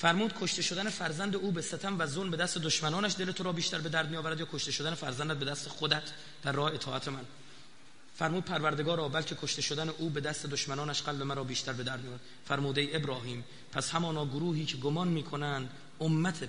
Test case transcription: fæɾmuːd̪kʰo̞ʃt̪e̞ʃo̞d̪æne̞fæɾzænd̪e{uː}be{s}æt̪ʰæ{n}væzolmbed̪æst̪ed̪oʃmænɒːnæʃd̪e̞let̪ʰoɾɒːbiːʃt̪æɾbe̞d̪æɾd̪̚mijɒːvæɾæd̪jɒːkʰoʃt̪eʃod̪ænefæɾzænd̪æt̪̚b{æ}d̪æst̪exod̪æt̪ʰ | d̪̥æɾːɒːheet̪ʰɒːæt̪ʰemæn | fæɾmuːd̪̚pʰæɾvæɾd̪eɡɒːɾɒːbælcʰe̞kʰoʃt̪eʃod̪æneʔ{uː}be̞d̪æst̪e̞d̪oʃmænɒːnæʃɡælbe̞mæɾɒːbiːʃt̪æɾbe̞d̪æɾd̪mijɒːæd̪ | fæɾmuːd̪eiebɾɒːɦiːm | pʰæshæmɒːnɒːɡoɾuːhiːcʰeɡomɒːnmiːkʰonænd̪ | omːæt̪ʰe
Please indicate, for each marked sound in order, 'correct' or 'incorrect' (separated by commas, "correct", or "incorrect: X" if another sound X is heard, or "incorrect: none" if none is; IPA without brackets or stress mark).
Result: correct, correct, incorrect: m, incorrect: e, correct